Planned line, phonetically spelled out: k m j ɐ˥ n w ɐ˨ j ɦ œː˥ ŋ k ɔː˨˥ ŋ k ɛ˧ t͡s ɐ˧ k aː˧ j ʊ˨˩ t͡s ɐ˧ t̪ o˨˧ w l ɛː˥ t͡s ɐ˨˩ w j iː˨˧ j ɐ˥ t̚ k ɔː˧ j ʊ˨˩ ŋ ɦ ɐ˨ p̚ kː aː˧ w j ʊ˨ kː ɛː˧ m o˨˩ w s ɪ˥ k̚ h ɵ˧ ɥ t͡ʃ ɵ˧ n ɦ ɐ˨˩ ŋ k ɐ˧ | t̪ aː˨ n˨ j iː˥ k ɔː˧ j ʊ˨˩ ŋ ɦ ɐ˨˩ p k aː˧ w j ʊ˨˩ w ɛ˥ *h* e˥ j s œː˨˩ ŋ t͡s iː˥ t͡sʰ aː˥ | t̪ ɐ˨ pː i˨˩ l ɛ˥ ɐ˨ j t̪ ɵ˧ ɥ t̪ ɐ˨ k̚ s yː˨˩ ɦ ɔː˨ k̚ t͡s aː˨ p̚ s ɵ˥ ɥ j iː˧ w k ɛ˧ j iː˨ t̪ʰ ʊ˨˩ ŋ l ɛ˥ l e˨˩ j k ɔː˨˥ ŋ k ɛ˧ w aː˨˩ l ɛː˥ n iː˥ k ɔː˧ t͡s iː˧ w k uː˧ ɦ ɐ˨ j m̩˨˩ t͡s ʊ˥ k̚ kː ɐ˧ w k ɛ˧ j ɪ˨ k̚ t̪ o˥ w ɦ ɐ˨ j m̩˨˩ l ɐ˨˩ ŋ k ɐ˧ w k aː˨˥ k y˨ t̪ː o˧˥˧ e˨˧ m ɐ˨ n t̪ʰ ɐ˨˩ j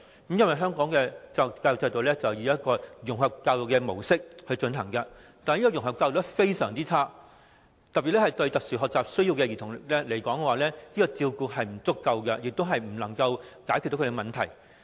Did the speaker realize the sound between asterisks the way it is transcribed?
no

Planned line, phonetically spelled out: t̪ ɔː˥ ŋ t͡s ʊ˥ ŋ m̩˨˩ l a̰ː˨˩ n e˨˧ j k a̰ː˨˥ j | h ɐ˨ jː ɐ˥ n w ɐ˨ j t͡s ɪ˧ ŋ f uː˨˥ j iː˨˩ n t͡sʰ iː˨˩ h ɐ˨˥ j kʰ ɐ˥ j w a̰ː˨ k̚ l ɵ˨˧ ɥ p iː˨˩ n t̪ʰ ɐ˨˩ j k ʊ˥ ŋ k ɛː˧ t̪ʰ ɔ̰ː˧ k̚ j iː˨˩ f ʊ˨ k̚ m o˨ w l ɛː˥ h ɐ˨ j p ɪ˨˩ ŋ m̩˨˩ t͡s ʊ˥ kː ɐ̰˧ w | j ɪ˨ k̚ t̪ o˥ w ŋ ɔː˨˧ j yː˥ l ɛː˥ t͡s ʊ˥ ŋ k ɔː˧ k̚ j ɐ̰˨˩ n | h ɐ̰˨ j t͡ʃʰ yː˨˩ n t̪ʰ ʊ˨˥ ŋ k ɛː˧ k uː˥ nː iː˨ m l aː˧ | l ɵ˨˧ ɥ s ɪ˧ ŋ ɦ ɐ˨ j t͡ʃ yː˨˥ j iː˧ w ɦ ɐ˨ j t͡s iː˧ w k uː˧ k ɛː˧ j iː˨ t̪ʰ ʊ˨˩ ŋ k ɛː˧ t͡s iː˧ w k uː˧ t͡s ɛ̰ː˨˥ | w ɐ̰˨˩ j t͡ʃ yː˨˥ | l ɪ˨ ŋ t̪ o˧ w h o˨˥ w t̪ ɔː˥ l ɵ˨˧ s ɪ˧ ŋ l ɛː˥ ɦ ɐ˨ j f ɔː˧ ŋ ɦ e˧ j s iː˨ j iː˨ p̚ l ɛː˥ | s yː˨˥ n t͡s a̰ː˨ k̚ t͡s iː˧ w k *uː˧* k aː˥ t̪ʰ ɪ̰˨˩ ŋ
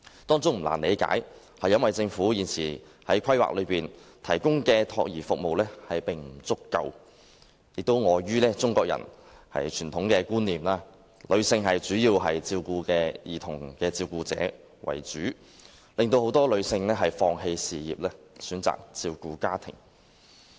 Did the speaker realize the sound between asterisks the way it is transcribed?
yes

